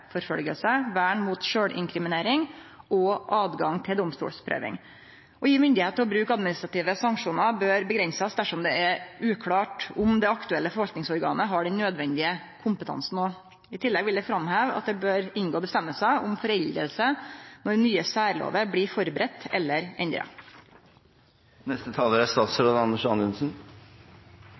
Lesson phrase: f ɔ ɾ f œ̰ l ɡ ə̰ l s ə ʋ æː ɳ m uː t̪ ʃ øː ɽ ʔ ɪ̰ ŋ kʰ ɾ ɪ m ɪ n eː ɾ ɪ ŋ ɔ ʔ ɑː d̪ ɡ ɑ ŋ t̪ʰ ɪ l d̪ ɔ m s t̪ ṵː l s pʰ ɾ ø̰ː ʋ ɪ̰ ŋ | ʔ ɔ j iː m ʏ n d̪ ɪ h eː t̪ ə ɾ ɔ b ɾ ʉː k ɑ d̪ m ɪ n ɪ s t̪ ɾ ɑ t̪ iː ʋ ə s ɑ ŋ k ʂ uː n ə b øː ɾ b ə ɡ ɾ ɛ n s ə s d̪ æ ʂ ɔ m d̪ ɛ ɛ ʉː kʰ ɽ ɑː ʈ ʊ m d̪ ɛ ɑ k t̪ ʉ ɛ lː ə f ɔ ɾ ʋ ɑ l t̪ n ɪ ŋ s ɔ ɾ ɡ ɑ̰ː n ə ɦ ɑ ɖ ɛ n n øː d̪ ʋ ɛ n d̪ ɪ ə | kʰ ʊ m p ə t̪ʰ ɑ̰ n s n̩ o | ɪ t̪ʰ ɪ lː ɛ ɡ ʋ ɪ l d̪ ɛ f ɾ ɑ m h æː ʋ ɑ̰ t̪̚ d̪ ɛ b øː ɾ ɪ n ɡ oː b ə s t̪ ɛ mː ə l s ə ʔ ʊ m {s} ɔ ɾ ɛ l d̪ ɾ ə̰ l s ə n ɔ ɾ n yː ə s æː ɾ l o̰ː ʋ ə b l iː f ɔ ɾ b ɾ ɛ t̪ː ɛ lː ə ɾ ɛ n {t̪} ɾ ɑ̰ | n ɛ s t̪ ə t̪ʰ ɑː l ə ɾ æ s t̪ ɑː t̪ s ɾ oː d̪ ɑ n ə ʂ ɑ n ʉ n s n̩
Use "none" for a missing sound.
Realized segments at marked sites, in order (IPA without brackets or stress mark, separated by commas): f, d̪